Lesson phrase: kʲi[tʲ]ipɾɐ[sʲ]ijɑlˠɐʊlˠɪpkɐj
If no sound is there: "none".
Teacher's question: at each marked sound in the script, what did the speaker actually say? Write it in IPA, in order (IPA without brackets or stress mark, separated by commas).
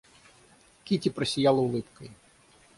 tʲ, sʲ